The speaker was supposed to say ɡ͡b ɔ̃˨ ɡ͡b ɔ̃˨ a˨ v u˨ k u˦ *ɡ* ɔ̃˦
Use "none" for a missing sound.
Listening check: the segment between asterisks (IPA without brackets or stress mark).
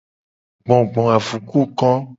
k